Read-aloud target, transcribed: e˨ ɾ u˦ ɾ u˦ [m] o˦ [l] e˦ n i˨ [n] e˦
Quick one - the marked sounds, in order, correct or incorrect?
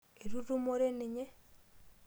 correct, incorrect: ɾ, incorrect: ɲ

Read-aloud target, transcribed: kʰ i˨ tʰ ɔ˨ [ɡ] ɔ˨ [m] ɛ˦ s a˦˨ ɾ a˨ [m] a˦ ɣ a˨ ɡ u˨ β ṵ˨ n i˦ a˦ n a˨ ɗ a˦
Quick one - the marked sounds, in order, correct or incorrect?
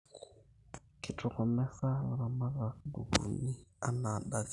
incorrect: k, correct, correct

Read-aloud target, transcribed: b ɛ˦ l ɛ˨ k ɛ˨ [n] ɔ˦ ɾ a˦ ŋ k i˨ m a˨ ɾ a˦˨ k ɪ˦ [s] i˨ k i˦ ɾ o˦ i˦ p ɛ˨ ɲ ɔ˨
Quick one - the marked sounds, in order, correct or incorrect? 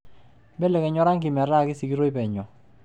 incorrect: ɲ, correct

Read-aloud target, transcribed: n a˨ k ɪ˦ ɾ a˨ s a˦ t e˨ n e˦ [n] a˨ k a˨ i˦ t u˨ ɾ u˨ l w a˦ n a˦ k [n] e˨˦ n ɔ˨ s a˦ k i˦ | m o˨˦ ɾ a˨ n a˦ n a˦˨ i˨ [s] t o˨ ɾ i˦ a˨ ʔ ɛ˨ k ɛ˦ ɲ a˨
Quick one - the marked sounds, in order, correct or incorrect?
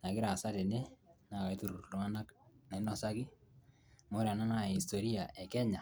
correct, correct, correct

